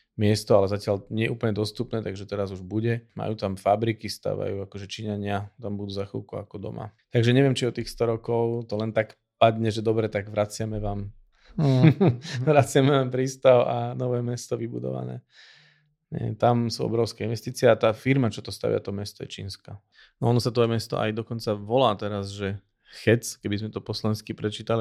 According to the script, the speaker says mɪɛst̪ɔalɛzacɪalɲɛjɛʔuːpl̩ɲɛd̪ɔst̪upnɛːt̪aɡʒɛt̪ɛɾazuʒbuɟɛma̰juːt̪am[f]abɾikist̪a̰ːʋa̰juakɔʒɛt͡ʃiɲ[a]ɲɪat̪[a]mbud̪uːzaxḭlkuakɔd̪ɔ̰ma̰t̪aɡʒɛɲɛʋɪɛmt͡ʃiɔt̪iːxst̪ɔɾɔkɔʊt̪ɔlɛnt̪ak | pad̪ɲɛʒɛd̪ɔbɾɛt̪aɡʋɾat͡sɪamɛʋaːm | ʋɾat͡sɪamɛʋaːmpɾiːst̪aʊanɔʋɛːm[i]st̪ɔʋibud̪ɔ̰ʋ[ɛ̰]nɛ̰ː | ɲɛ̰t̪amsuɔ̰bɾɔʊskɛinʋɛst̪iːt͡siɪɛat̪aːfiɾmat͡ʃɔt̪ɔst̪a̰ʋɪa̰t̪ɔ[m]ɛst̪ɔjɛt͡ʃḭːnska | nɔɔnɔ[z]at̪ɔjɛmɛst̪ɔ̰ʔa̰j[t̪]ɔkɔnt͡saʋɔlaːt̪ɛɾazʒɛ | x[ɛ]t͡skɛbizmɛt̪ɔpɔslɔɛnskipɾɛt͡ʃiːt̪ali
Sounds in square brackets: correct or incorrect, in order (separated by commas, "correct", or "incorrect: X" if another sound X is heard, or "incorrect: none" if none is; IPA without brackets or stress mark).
correct, correct, correct, incorrect: ɛ, incorrect: a̰, correct, incorrect: s, incorrect: d̪, correct